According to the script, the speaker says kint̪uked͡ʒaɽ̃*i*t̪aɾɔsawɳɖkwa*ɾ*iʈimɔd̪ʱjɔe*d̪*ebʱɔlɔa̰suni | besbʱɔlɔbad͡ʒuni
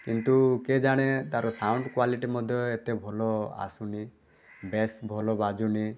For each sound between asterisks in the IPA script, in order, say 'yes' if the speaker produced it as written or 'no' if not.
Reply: no, no, no

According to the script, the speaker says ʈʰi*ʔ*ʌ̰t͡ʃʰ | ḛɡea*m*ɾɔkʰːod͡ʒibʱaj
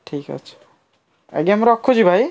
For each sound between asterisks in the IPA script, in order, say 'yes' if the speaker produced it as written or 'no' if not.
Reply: no, yes

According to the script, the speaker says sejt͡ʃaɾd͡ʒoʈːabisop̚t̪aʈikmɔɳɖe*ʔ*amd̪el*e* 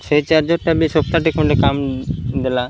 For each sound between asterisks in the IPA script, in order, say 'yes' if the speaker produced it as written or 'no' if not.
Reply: no, no

